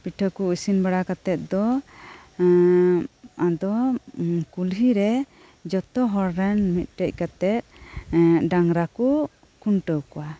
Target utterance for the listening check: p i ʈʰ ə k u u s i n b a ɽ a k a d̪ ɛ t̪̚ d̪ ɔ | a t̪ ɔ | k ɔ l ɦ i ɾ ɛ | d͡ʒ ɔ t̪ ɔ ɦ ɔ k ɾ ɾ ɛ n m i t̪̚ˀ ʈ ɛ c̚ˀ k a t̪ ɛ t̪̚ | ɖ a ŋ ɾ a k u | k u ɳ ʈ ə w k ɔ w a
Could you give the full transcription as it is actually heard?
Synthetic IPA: p i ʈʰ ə k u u s i n b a ɽ a k a t̪ ɛ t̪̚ d̪ ɔ | a d̪ ɔ | k u l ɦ i ɾ ɛ | d͡ʒ ɔ t̪ ɔ ɦ ɔ ɾ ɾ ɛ n m i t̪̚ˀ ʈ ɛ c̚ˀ k a t̪ ɛ t̪̚ | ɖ a ŋ ɾ a k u | k u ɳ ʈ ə w k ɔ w a